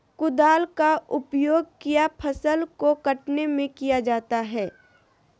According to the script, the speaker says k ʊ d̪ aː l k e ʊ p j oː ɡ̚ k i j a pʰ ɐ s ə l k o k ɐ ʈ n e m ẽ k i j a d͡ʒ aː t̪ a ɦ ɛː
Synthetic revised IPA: k ʊ d̪ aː l k a ʊ p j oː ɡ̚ k i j a pʰ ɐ s ə l k o k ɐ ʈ n e m ẽ k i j a d͡ʒ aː t̪ a ɦ ɛː